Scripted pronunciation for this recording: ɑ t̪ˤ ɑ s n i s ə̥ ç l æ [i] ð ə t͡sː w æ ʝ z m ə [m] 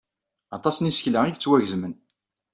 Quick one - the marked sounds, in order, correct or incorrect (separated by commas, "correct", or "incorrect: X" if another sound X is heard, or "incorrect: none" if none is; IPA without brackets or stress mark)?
correct, incorrect: n